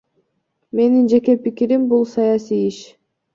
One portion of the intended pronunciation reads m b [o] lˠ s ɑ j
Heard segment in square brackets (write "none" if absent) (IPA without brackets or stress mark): u